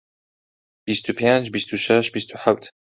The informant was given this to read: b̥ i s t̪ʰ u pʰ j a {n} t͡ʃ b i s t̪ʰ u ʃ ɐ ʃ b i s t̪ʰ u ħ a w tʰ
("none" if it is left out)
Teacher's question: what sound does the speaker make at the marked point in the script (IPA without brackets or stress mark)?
n